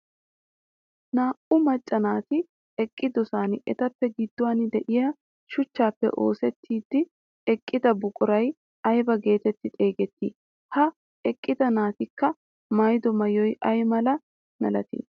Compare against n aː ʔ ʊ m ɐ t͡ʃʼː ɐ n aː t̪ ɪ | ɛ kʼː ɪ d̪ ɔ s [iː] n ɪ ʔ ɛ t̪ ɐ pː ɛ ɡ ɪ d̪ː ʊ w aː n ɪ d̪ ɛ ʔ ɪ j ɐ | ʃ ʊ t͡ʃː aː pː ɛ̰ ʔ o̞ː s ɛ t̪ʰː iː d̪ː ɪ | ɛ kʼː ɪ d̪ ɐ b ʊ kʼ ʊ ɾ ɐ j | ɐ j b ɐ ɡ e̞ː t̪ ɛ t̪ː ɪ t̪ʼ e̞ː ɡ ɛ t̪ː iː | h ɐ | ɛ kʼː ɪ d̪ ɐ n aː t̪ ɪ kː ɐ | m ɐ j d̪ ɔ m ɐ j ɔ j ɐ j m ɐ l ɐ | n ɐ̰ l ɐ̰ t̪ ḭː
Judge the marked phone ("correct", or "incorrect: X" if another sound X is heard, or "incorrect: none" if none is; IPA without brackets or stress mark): incorrect: aː